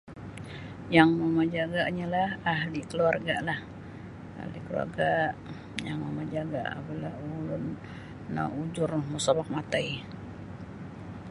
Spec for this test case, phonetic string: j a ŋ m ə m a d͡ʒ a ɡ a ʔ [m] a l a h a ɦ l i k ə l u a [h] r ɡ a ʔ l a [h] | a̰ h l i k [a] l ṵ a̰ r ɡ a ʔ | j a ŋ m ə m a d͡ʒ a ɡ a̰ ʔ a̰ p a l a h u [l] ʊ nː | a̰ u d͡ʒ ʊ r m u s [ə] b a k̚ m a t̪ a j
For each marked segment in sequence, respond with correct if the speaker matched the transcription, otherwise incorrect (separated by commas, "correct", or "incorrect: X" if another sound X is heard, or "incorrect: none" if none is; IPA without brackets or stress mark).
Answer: incorrect: ɲ, incorrect: none, correct, incorrect: ə, correct, incorrect: a